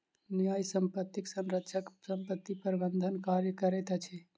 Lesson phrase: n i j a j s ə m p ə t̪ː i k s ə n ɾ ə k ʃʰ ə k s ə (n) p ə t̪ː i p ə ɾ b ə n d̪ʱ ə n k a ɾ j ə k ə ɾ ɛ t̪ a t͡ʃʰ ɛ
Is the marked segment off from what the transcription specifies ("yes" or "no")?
yes